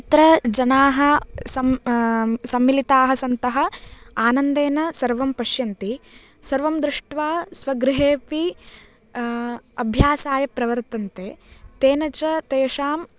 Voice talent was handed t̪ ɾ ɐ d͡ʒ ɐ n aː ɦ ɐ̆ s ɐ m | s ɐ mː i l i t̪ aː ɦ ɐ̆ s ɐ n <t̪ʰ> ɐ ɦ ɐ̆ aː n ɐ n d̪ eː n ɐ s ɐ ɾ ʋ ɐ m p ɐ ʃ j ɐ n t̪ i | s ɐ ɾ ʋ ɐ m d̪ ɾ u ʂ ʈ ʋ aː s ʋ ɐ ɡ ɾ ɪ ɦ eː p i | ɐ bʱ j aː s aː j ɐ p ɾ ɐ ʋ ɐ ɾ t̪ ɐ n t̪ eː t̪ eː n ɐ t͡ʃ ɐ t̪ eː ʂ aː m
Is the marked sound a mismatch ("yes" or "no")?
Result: yes